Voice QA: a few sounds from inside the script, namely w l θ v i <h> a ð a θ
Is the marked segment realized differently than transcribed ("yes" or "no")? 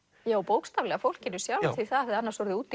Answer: yes